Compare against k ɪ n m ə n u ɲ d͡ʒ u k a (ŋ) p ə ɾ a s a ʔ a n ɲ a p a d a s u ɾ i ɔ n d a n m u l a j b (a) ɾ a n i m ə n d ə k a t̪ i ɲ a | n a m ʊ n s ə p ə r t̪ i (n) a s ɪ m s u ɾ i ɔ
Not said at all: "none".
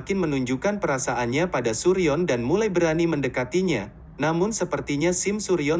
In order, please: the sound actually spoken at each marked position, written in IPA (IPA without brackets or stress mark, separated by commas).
n, ə, ɲ